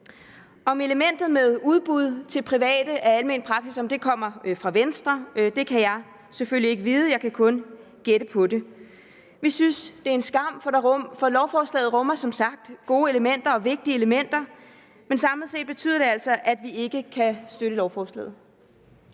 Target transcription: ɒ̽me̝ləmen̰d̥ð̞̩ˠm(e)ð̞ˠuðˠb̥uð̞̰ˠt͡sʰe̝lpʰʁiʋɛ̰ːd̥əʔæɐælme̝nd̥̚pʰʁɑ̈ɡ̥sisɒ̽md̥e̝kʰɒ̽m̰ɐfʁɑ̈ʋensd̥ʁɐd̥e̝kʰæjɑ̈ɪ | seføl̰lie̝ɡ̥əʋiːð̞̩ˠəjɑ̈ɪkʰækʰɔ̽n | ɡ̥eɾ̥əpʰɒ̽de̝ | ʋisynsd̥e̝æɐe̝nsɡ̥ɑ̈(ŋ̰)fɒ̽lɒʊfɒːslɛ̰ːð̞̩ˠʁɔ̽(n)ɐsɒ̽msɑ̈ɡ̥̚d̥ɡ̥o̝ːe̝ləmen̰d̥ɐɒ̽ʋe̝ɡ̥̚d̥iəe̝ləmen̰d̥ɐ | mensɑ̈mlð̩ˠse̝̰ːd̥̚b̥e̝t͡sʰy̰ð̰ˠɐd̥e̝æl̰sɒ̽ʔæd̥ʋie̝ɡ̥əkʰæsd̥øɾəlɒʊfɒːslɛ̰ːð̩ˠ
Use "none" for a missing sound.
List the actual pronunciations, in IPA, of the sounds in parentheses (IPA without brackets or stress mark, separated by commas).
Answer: e, m̰, m